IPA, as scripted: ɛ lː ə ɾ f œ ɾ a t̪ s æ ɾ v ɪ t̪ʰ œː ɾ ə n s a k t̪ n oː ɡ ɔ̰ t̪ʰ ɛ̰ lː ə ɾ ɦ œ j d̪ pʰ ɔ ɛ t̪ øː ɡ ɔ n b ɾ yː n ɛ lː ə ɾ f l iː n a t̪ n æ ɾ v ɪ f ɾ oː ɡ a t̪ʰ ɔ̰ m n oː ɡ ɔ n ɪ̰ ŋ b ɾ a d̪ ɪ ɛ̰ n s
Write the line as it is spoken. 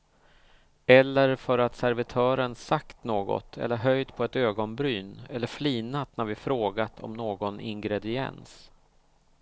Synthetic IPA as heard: ɛ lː ə ɾ f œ ɾ a t̪ s æ ɾ v ɪ t̪ʰ œː ɾ ə n s a k t̪ n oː ɡ ɔ̰ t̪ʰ ɛ̰ lː ə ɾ ɦ œ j d̪ pʰ ɔ ɛ t̪ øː ɡ ɔ n b ɾ yː n ɛ lː ə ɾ f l iː n a t̪ n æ ɾ v ɪ f ɾ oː ɡ a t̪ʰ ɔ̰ m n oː ɡ ɔ n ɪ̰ ŋ ɡ ɾ ɛ d̪ ɪ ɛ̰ n s